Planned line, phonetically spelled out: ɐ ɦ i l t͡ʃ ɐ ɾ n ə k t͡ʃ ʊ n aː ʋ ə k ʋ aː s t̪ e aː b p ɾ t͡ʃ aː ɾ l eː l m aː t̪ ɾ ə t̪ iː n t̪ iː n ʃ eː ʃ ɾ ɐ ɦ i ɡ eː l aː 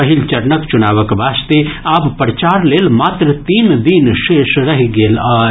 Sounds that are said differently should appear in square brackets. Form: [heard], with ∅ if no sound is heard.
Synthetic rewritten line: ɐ ɦ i l t͡ʃ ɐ ɾ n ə k t͡ʃ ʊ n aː ʋ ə k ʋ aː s t̪ e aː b p ɾ t͡ʃ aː ɾ l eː l m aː t̪ ɾ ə t̪ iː n [d̪] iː n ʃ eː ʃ ɾ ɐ ɦ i ɡ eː l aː

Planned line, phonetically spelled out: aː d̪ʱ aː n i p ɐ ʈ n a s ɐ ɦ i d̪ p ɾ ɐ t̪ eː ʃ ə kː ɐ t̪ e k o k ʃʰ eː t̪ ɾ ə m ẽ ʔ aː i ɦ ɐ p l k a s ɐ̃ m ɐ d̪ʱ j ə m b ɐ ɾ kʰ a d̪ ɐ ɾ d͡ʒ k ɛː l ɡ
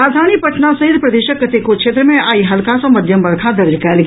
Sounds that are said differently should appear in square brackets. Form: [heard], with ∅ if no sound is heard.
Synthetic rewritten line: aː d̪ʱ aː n i p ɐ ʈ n a s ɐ ɦ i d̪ p ɾ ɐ [d̪] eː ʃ ə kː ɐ t̪ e k o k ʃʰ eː t̪ ɾ ə m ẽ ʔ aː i ɦ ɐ [∅] l k a s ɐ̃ m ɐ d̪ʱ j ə m b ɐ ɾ kʰ a d̪ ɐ ɾ d͡ʒ k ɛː l ɡ

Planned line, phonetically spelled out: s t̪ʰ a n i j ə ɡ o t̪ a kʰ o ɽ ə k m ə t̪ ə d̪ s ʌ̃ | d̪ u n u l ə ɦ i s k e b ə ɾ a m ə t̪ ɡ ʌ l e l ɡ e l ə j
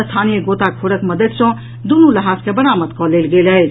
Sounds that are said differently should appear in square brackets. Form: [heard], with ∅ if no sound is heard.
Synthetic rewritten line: s t̪ʰ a n i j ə ɡ o t̪ a kʰ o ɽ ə k m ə [d̪] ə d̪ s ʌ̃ | d̪ u n u l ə ɦ [a] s k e b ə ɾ a m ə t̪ [k] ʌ l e l ɡ e l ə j

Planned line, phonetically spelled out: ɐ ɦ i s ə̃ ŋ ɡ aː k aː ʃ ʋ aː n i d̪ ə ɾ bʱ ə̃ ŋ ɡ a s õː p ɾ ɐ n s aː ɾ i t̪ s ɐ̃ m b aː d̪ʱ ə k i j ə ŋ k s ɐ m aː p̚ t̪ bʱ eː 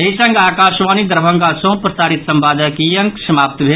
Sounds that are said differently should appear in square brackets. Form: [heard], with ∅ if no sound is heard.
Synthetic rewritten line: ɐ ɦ i s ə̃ ŋ ɡ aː k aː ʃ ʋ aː n i d̪ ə ɾ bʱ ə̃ ŋ ɡ a s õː p ɾ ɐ [∅] s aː ɾ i t̪ s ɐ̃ m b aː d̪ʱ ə k i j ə ŋ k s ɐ m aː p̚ t̪ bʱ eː

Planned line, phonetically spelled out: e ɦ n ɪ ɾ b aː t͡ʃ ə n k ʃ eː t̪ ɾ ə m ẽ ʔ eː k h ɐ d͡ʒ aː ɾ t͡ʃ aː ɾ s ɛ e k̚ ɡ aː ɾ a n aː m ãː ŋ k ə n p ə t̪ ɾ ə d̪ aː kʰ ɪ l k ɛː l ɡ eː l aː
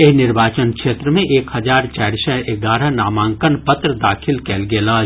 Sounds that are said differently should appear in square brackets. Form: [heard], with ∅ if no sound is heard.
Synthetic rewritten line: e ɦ n ɪ ɾ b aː t͡ʃ ə n k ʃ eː t̪ ɾ ə m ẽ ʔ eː k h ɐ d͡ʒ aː ɾ t͡ʃ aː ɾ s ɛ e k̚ ɡ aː ɾ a n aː m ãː ŋ k ə n p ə t̪ ɾ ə d̪ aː kʰ ɪ l k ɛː l ɡ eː l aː

